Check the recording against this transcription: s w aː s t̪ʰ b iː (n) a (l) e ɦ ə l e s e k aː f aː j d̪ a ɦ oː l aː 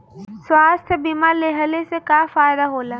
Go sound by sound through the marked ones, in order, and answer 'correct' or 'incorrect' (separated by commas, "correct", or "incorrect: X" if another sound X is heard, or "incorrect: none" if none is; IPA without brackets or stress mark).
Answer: incorrect: m, correct